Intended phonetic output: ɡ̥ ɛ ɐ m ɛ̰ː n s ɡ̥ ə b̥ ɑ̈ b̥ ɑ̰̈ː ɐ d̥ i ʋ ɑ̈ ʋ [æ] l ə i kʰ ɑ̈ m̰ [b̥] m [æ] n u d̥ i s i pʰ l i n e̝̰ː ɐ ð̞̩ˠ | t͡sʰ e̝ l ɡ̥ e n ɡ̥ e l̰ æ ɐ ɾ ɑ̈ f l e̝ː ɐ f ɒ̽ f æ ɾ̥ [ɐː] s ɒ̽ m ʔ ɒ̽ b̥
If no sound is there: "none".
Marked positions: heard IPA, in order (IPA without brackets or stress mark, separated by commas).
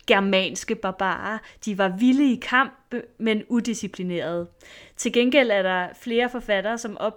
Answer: i, b̥, e, ɐː